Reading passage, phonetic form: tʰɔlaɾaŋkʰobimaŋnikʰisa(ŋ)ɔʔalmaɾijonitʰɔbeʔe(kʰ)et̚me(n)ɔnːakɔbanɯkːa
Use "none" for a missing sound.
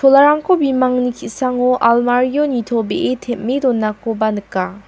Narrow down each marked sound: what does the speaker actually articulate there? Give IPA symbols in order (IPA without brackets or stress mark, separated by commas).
ŋ, tʰ, d